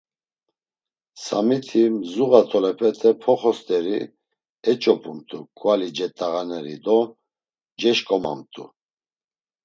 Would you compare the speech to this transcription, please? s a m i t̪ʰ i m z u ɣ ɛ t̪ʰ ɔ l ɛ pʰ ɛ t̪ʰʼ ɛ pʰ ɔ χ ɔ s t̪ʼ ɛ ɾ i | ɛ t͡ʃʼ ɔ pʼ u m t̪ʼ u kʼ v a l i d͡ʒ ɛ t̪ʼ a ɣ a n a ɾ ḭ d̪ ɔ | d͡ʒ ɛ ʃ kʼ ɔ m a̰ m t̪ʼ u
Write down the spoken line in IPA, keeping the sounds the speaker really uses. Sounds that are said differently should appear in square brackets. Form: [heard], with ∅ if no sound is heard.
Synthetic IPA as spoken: s a m i t̪ʰ i m z u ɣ [a] t̪ʰ ɔ l ɛ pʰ ɛ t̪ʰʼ ɛ pʰ ɔ χ ɔ s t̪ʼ ɛ ɾ i | ɛ t͡ʃʼ ɔ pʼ u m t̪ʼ u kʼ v a l i d͡ʒ ɛ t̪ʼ a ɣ a n [ɛ] ɾ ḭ d̪ ɔ | d͡ʒ ɛ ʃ kʼ ɔ m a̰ m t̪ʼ u